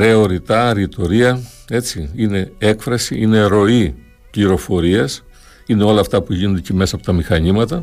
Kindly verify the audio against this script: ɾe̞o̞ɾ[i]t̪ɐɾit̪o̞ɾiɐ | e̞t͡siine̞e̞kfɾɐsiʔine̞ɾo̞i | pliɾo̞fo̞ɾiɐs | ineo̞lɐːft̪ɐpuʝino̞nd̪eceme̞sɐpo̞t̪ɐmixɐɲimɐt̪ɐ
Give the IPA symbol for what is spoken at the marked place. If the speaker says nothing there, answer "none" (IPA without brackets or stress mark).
i